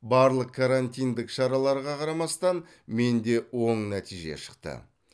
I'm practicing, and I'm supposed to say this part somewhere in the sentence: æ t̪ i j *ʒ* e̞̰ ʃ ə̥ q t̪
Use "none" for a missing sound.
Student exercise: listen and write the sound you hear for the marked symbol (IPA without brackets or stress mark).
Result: ʒ